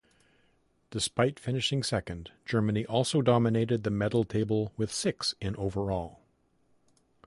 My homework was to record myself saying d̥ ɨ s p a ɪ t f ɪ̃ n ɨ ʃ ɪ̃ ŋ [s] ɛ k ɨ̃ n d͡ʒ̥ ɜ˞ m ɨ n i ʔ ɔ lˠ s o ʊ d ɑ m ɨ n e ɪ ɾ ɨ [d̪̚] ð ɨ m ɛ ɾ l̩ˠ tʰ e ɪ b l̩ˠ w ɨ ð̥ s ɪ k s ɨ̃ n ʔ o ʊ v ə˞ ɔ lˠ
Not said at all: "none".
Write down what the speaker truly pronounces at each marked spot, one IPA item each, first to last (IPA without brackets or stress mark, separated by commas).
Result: s, d̪̚